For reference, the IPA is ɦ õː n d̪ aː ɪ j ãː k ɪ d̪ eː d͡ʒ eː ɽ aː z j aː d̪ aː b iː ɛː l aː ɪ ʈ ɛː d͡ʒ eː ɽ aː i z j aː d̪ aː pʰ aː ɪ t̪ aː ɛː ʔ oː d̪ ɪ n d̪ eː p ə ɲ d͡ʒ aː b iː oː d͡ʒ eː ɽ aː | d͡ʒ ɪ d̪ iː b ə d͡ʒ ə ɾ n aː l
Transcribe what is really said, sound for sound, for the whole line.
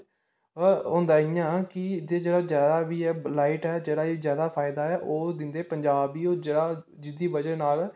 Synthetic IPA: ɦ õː n d̪ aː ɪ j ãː k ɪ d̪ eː d͡ʒ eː ɽ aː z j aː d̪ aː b iː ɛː l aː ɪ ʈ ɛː d͡ʒ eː ɽ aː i z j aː d̪ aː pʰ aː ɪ d̪ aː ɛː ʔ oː d̪ ɪ n d̪ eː p ə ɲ d͡ʒ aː b iː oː d͡ʒ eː ɽ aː | d͡ʒ ɪ d̪ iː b ə d͡ʒ ə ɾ n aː l